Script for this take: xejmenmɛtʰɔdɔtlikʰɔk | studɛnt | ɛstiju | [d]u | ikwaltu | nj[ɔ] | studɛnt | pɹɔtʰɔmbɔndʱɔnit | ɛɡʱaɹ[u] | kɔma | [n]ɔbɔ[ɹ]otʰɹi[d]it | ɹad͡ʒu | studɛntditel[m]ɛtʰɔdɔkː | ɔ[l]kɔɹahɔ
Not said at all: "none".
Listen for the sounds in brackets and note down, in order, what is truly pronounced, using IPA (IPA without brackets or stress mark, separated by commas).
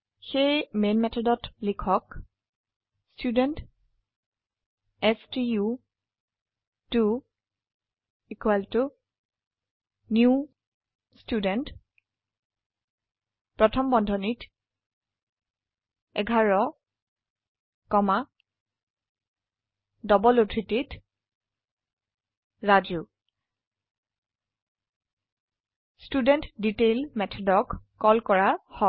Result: t, u, ɔ, d, l, t, m, l